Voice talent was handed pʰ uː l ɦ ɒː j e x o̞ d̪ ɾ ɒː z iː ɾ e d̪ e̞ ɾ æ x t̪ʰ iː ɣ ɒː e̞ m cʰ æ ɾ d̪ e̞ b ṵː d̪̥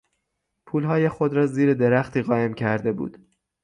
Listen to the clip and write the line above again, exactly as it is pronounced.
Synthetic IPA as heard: pʰ uː l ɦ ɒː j e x o̞ d̪ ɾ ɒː z iː ɾ e d̪ e̞ ɾ æ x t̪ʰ iː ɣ ɒː e̞ m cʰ æ ɾ d̪ e̞ b ṵː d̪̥